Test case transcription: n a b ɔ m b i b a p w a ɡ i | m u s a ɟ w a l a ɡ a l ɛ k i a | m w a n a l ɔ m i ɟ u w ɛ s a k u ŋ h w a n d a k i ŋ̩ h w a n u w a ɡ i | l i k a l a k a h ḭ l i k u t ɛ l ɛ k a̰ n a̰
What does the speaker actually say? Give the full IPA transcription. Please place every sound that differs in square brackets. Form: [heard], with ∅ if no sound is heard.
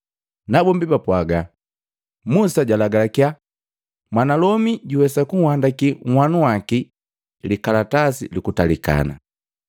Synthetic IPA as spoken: n a b ɔ m b i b a p w a ɡ [a] | m u s a ɟ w a l a ɡ a l [a] k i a | m w a n a l ɔ m i ɟ u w ɛ s a k u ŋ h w a n d a k i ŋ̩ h w a n u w a [k] i | l i k a l a [t] a [s] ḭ l i k u t [a] l [i] k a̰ n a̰